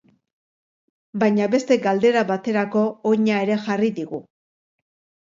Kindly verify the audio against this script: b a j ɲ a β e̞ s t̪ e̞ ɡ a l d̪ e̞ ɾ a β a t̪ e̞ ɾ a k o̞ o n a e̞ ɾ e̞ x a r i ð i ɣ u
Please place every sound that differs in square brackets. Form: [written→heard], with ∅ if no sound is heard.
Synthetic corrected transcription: b a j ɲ a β e̞ s t̪ e̞ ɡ a l d̪ e̞ ɾ a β a t̪ e̞ ɾ a k o̞ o [n→ɲ] a e̞ ɾ e̞ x a r i ð i ɣ u